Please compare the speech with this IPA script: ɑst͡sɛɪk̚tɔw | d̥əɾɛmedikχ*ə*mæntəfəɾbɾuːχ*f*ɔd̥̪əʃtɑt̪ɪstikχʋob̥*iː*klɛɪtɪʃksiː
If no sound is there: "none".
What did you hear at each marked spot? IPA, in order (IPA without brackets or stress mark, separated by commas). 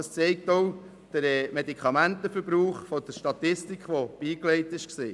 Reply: ɑ, f, iː